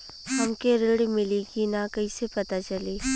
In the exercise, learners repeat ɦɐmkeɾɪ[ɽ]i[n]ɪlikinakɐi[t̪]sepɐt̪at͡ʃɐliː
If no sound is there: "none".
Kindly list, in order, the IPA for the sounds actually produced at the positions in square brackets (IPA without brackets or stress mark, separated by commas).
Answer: ɽ, m, none